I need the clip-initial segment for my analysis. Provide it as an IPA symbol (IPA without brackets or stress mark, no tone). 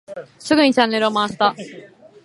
s